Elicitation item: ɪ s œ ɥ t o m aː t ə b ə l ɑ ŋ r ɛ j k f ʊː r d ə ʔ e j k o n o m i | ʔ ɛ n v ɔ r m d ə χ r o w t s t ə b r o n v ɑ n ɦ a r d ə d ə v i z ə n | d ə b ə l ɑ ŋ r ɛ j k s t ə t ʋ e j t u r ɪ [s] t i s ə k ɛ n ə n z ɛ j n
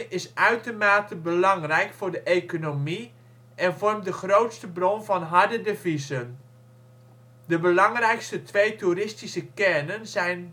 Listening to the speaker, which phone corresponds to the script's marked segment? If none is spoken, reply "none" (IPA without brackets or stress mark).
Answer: s